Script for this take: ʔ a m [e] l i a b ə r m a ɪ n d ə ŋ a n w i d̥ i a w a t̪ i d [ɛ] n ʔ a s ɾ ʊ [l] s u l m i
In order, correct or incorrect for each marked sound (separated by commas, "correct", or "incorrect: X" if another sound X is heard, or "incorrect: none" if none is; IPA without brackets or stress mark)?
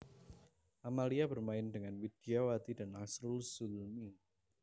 incorrect: a, incorrect: a, correct